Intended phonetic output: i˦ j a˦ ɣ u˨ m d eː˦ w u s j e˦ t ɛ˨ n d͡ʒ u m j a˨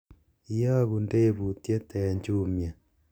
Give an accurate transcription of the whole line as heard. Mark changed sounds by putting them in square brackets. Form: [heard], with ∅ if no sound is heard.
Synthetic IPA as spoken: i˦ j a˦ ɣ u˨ [n] d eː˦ [β] u [t] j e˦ t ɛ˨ [ɲ] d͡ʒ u m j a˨